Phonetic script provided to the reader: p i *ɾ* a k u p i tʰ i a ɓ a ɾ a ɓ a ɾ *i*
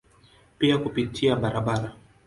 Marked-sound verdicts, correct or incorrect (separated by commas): incorrect, incorrect